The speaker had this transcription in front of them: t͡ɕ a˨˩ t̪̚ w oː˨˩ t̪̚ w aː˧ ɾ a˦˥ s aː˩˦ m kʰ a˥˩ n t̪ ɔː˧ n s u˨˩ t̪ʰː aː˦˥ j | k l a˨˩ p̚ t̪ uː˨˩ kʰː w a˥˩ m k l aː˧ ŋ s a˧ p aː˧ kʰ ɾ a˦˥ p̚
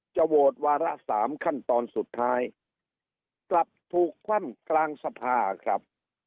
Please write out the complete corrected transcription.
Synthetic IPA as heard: t͡ɕ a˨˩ w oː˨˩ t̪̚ w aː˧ ɾ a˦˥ s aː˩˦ m kʰ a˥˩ n t̪ ɔː˧ n s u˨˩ t̪ʰː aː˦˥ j | k l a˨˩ p̚ t̪ʰ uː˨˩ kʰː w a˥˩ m k l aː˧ ŋ s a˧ pʰ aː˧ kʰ ɾ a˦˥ p̚